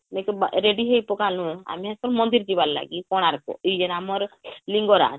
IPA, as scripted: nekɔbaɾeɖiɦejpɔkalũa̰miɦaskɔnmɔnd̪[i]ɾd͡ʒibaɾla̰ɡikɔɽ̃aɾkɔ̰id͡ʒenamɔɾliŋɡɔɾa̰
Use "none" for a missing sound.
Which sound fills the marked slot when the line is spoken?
i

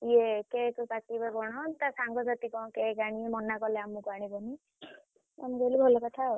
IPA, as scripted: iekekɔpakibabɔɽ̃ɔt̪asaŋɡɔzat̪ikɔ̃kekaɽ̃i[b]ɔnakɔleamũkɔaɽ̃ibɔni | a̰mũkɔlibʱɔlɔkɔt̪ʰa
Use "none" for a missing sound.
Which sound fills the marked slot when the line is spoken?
m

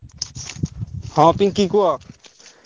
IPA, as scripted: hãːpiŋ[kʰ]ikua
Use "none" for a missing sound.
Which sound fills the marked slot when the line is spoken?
k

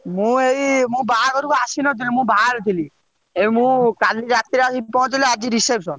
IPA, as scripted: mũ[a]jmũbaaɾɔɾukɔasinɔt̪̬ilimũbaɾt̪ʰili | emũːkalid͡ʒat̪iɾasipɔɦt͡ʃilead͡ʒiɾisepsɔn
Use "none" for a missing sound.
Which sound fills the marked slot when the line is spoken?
e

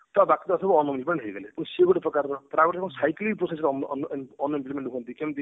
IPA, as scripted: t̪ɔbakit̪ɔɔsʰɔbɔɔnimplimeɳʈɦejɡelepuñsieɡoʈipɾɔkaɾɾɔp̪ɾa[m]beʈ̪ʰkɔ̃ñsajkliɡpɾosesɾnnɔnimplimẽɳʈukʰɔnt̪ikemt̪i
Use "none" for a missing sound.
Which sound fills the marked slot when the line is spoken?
none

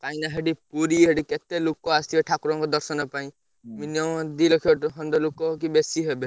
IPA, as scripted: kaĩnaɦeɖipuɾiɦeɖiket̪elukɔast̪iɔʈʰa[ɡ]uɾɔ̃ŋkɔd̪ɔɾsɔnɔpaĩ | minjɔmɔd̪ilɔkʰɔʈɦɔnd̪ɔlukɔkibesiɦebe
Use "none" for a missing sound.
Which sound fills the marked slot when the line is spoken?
k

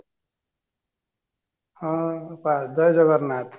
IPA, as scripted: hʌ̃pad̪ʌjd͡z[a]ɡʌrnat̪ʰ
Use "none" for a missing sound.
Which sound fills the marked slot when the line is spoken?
ʌ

